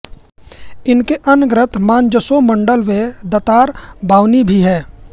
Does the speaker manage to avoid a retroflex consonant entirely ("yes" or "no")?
no